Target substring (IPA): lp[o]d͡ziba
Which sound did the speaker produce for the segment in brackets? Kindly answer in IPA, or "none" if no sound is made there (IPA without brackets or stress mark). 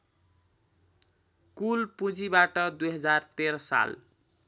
u